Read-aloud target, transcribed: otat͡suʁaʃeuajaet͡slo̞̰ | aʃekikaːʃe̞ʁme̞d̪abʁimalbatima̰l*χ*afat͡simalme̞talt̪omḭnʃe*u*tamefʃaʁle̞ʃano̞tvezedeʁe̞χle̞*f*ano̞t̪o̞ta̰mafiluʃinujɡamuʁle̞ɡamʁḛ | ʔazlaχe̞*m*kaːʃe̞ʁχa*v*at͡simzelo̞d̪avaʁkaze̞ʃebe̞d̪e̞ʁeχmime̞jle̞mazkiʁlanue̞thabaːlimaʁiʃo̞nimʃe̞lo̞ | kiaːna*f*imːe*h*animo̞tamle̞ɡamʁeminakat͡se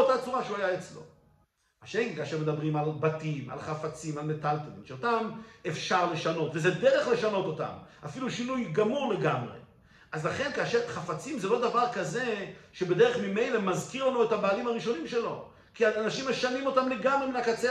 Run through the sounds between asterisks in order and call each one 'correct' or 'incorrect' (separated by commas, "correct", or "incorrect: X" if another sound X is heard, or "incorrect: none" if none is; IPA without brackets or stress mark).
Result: correct, incorrect: o, incorrect: ʃ, incorrect: n, incorrect: f, incorrect: ʃ, incorrect: ʃ